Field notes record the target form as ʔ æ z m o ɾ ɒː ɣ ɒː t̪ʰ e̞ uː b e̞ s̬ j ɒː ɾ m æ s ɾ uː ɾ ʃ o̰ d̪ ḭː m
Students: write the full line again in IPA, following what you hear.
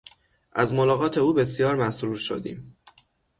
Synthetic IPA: ʔ æ z m o l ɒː ɣ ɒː t̪ʰ e̞ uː b e̞ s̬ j ɒː ɾ m æ s ɾ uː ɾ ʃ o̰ d̪ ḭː m